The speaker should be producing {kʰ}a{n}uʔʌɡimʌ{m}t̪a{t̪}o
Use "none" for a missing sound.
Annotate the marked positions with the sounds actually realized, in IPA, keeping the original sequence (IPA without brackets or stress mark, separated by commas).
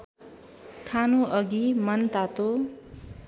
kʰ, n, n, t̪